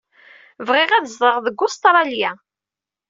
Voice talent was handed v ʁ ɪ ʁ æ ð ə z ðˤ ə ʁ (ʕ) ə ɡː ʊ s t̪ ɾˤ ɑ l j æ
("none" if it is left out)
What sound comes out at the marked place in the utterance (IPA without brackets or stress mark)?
ð